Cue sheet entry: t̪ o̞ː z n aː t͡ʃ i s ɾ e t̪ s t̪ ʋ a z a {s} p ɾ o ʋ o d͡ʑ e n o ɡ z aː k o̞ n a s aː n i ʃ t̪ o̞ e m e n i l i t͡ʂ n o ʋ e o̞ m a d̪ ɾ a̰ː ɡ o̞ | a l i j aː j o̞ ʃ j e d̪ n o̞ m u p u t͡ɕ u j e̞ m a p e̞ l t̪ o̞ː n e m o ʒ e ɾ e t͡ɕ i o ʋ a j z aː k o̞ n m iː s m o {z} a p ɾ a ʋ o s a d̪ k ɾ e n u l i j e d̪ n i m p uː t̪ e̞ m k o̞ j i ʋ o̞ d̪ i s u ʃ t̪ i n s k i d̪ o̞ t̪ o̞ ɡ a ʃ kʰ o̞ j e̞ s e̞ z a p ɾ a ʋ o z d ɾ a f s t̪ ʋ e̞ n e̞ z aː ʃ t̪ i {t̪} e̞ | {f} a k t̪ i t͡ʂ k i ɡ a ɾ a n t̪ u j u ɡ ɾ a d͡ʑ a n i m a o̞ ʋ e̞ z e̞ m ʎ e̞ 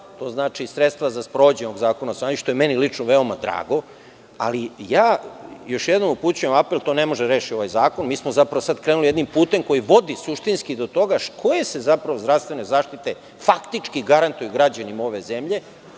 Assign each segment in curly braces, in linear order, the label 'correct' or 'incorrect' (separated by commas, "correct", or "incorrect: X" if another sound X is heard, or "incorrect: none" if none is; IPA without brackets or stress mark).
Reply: correct, correct, correct, correct